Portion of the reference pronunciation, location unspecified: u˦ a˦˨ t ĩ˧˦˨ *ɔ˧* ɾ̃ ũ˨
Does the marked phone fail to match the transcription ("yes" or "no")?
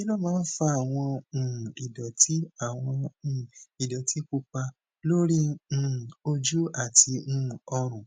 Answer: no